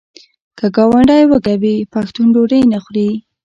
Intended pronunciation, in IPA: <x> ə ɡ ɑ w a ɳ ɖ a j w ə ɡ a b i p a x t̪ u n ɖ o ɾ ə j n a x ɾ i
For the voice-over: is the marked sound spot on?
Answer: no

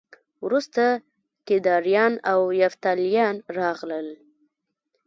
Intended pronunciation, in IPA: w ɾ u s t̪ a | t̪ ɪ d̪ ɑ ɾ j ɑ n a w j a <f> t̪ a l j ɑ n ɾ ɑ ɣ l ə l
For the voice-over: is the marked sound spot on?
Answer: yes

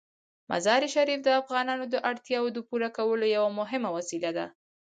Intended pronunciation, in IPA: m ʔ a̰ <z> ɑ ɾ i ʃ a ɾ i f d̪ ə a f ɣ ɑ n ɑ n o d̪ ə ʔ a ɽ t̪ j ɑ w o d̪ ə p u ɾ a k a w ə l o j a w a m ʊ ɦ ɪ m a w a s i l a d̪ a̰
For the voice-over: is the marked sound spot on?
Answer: yes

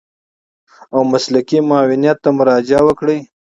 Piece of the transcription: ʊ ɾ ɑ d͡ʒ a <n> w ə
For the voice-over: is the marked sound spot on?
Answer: no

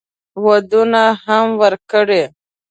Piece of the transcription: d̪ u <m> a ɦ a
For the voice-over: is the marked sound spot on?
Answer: no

